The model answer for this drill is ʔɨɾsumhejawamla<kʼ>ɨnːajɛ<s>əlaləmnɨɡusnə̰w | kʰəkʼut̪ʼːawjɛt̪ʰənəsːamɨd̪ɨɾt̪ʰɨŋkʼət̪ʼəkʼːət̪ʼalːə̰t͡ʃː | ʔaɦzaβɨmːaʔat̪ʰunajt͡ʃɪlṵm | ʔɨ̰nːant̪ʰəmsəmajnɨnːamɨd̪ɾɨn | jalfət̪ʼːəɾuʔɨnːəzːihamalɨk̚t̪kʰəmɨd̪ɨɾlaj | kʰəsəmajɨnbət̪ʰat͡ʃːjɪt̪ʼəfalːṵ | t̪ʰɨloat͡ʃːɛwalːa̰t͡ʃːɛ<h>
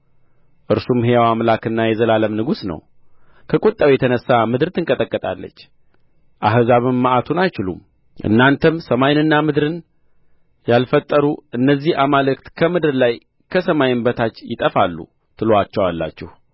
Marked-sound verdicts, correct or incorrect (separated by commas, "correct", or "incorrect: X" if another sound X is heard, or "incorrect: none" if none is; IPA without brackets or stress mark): incorrect: k, incorrect: z, correct